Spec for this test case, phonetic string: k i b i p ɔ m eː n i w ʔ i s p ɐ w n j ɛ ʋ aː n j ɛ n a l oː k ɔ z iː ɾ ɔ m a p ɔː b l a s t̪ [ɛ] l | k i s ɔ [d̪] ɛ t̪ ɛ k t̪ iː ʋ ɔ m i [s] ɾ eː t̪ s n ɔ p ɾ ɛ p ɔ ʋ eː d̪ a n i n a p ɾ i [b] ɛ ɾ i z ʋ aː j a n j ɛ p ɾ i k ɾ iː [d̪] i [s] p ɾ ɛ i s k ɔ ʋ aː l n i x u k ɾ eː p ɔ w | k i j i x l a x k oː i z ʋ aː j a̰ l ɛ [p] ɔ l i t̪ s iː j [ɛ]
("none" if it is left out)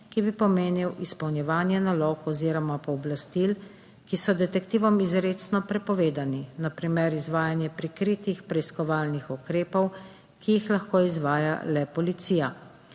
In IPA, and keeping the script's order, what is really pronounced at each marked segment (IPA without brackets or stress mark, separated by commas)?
i, d̪, z, m, t̪, x, p, a